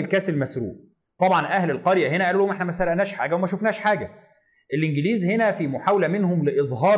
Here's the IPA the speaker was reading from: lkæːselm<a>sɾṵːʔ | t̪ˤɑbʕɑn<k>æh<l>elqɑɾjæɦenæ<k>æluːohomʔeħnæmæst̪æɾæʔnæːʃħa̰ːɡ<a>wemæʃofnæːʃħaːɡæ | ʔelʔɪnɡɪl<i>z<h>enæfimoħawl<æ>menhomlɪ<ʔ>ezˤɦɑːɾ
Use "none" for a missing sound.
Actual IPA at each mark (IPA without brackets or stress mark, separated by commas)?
æ, ʔ, l, ʔ, æ, iː, h, æ, ʔ